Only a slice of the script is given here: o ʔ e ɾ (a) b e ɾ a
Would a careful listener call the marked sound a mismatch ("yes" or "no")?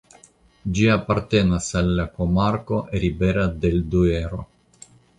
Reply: yes